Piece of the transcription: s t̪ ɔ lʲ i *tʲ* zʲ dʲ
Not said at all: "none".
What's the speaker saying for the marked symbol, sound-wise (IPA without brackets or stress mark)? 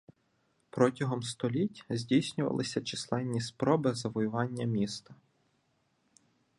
tʲ